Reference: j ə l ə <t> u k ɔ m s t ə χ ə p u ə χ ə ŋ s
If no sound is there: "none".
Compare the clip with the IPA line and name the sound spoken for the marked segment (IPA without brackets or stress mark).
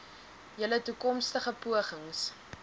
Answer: t